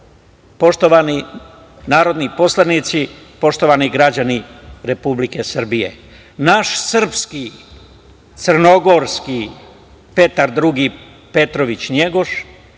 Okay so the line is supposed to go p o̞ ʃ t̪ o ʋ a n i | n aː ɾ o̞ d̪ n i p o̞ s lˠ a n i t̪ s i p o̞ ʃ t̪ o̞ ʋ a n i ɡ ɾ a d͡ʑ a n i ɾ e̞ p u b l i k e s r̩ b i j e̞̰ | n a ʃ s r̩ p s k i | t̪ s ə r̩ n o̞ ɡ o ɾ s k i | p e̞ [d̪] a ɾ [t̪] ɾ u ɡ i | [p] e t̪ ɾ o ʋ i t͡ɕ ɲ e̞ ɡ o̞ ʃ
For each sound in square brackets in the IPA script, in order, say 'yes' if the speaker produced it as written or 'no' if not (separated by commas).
no, no, yes